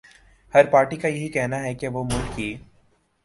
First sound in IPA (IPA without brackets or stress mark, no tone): h